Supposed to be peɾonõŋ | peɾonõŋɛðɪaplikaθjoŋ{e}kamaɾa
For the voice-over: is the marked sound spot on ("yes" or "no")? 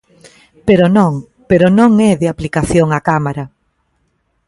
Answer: no